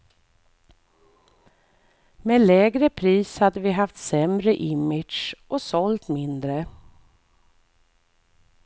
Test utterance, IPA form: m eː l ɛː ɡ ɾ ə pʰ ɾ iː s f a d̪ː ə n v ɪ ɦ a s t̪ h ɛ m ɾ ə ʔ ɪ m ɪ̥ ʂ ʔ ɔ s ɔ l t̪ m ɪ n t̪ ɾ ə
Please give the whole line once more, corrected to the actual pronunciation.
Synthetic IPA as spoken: m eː l ɛː ɡ ɾ ə pʰ ɾ iː s h a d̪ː ə v ɪ ɦ a f t̪ s ɛ m ɾ ə ʔ ɪ m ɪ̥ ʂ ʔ ɔ s ɔ l t̪ m ɪ n d̪ ɾ ə